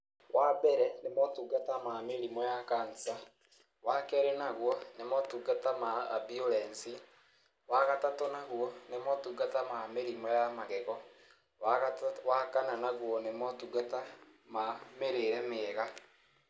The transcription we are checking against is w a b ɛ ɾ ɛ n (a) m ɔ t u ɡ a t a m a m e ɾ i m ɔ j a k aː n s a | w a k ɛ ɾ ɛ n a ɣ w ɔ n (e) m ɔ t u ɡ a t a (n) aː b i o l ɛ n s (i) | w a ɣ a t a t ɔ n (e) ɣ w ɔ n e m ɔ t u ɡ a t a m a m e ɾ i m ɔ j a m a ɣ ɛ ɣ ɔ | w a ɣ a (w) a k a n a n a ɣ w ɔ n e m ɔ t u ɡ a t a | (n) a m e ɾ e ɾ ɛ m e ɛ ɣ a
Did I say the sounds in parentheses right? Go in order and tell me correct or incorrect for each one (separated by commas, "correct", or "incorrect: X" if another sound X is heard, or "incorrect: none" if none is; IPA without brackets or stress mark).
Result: incorrect: e, correct, incorrect: m, correct, incorrect: a, correct, incorrect: m